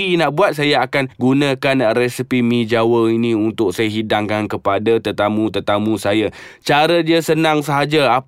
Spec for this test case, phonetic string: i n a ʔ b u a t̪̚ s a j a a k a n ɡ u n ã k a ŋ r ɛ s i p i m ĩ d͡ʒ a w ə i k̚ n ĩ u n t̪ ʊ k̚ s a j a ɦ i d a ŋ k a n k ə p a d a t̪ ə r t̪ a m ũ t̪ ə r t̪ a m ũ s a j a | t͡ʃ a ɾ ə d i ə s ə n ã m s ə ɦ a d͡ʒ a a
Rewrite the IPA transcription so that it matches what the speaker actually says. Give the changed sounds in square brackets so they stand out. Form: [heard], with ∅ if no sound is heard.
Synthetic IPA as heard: i n a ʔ b u a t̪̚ s a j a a k a n ɡ u n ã k a [n] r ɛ s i p i m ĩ d͡ʒ a w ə i [∅] n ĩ u n t̪ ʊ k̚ s a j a ɦ i d a ŋ k a n k ə p a d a t̪ ə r t̪ a m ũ t̪ ə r t̪ a m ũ s a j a | t͡ʃ a ɾ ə d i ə s ə n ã [ŋ] s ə ɦ a d͡ʒ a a